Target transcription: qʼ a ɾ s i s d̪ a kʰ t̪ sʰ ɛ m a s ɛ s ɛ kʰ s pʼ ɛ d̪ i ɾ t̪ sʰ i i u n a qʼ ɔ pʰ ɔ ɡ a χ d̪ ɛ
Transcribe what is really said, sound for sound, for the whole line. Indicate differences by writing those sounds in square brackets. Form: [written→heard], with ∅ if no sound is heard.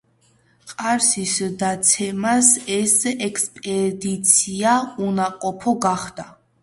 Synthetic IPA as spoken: qʼ a ɾ s i s d̪ a [kʰ→∅] t̪ sʰ ɛ m a s ɛ s ɛ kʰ s pʼ ɛ d̪ i [ɾ→∅] t̪ sʰ i [i→a] u n a qʼ ɔ pʰ ɔ ɡ a χ d̪ [ɛ→a]